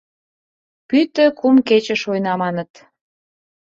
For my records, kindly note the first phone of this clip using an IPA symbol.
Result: p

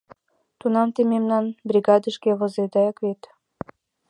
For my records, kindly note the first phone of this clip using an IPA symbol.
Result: t̪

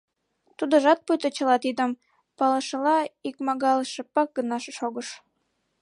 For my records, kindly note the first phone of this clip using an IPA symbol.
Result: t̪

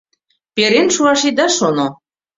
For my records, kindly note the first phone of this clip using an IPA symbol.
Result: p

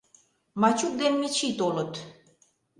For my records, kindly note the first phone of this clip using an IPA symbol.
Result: m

